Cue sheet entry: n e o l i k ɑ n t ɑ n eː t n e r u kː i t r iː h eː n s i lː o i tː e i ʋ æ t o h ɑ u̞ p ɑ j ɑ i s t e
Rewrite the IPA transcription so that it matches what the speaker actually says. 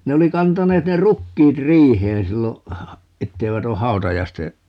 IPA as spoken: n e o l i k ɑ n t ɑ n eː t n e r u kː iː t r iː h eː n s i lː o e tː e i ʋ æ t o h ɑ u̞ t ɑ j ɑ i s t e